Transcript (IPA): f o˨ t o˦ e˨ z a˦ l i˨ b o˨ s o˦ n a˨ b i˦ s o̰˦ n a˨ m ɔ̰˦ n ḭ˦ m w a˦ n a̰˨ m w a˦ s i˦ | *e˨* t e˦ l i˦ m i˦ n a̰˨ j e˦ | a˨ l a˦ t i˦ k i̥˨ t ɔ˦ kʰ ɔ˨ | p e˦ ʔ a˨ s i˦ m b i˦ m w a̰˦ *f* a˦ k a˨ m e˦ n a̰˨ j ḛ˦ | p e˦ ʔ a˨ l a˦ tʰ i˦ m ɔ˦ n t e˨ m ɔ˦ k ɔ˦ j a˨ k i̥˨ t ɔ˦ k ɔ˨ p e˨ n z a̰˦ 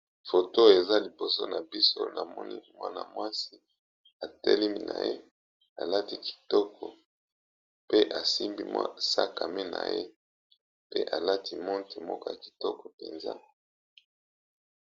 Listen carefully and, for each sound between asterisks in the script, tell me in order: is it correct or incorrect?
incorrect: a˨, incorrect: s

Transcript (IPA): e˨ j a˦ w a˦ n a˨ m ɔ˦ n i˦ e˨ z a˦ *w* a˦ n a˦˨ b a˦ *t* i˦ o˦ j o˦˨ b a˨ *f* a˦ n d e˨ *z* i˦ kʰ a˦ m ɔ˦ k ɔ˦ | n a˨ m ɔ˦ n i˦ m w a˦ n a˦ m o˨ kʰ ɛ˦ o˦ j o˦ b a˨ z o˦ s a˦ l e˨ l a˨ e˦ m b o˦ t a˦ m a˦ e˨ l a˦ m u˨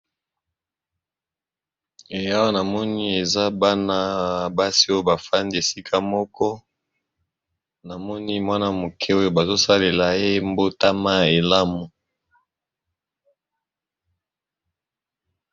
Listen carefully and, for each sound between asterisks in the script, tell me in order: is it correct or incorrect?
incorrect: b, incorrect: s, correct, incorrect: s

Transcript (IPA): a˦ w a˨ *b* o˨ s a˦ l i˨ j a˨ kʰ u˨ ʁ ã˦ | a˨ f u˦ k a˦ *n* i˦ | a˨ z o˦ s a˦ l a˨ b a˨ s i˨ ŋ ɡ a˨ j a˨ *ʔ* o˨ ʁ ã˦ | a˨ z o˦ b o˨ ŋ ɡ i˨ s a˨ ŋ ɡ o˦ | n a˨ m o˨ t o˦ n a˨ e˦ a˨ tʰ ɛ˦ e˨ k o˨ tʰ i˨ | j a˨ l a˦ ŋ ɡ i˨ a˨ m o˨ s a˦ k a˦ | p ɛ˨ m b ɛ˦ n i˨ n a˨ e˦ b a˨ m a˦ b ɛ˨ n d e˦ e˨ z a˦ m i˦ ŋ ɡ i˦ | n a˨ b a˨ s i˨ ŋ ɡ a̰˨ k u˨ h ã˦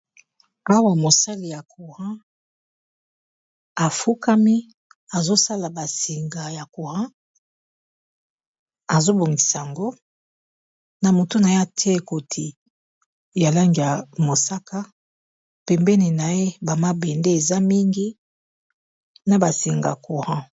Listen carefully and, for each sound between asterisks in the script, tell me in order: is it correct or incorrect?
incorrect: m, incorrect: m, incorrect: k

